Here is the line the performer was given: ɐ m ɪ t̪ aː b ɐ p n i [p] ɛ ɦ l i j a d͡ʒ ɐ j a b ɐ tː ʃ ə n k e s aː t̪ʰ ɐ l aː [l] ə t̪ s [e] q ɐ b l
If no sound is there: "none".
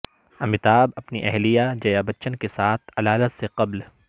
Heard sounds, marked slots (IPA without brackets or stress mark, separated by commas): ʔ, l, e